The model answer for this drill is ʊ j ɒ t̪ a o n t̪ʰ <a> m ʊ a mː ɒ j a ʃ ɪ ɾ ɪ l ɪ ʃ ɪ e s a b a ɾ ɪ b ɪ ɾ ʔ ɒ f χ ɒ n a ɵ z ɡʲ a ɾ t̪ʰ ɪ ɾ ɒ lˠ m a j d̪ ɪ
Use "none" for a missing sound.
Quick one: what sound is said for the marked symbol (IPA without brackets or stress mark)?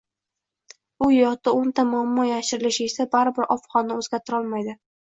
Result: a